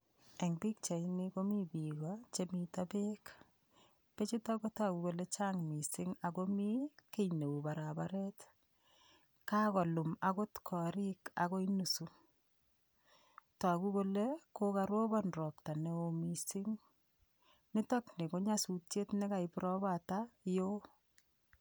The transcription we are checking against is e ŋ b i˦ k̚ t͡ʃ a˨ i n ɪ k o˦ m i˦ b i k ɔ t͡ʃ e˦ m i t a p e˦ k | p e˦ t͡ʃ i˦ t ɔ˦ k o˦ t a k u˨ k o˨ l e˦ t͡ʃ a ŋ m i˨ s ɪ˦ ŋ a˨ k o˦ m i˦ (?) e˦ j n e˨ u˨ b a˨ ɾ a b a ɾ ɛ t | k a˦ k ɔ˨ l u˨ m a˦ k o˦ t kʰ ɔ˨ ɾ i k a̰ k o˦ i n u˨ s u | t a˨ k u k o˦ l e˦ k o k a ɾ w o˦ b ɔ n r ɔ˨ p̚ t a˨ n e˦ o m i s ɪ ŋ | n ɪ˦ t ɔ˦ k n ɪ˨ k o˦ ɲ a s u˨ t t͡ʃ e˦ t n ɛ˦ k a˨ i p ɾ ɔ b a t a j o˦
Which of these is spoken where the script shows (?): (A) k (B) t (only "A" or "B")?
A